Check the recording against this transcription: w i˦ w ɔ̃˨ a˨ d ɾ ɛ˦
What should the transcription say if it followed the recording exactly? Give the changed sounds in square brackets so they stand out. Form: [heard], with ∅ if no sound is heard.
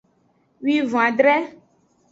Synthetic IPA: w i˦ [v] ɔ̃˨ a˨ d ɾ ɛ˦